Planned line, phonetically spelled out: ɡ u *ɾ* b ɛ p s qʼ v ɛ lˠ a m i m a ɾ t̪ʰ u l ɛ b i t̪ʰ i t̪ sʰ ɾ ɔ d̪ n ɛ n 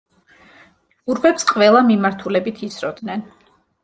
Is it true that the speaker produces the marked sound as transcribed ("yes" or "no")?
yes